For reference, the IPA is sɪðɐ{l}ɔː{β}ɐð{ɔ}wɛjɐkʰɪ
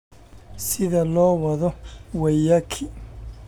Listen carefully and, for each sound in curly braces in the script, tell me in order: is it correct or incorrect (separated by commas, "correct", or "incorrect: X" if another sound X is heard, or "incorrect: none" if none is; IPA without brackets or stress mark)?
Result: correct, incorrect: w, correct